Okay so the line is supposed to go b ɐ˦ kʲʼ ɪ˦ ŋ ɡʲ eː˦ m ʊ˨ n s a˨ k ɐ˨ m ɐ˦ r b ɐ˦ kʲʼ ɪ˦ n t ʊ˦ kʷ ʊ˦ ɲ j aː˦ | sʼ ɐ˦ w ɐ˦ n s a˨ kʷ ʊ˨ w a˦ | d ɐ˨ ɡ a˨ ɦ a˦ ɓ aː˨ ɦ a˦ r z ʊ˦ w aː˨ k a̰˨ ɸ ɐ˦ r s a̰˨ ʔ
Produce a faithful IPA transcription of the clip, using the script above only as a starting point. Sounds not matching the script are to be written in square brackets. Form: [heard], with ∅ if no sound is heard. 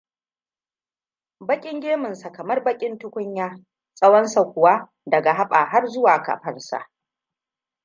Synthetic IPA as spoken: b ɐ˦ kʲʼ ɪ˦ ŋ ɡʲ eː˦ m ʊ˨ n s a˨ k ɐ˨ m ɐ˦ r b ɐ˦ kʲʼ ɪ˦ n t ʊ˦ kʷ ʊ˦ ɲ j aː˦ | sʼ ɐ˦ w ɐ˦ n s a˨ kʷ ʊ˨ w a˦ | d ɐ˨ ɡ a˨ ɦ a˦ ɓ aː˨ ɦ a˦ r z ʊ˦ w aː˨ k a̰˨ ɸ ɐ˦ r s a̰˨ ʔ